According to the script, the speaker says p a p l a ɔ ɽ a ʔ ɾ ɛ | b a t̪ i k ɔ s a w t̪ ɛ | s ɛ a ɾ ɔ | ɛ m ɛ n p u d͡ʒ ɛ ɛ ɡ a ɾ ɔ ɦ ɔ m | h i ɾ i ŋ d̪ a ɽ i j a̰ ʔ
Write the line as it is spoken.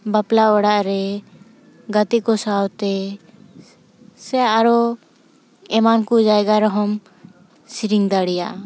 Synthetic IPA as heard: b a p l a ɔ ɽ a ʔ ɾ ɛ | ɡ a t̪ i k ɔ s a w t̪ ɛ | s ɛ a ɾ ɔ | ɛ m a n k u d͡ʒ a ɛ ɡ a ɾ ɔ ɦ ɔ m | s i ɾ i ŋ d̪ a ɽ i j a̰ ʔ